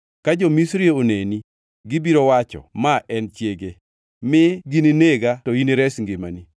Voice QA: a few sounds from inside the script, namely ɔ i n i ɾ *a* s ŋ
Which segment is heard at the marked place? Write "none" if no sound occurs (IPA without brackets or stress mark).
ɛ